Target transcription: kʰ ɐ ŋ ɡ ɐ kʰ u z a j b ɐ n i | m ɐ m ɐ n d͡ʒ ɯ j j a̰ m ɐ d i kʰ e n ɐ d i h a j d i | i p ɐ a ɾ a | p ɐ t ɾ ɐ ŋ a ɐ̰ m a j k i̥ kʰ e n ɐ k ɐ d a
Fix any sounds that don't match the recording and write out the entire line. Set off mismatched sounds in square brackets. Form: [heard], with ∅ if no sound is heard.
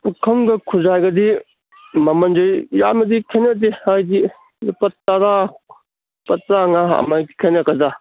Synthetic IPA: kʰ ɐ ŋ ɡ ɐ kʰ u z a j [ɡ] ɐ [d] i | m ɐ m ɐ n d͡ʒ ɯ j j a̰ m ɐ d i kʰ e n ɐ d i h a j d i | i p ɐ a ɾ a | p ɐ t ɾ [a] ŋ a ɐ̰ m a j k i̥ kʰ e n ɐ k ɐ d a